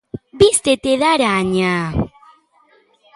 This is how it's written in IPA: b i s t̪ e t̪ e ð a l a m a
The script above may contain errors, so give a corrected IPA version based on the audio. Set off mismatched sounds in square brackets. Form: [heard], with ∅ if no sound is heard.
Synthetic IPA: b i s t̪ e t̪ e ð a [ɾ] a [ɲ] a